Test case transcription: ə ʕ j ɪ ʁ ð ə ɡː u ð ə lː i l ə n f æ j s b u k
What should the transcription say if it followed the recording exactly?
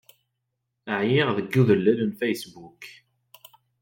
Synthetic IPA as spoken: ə ʕ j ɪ ʁ ð ə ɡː u ð ə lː æ l ə n f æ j s b u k